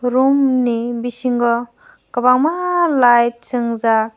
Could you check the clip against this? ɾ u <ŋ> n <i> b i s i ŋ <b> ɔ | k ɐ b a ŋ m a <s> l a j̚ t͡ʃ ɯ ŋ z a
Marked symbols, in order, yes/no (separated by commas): no, yes, no, no